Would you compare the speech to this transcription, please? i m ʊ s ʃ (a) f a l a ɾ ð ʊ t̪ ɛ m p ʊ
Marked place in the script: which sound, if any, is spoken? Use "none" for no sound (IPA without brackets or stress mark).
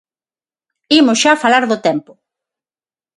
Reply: a